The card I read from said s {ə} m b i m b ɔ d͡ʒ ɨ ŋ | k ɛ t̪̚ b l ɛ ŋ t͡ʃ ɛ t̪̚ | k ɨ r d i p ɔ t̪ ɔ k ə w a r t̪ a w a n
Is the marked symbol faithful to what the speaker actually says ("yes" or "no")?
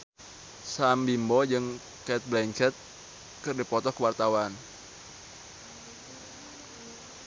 no